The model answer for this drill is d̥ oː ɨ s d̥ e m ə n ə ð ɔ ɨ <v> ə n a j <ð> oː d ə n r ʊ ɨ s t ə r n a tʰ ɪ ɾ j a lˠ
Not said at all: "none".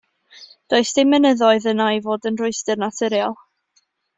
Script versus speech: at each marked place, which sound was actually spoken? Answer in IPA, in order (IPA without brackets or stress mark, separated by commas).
ð, v